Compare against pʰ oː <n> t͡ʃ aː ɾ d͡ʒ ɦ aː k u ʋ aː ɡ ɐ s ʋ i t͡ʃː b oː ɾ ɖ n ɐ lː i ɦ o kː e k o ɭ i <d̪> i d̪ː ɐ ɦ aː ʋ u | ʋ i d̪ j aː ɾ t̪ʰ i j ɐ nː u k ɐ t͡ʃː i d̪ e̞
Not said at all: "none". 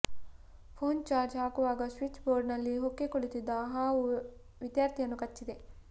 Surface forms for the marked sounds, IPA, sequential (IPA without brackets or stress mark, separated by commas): n, t̪